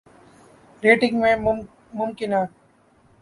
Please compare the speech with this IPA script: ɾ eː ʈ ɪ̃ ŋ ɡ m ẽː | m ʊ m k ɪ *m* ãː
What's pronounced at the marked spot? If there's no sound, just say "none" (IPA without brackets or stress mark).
n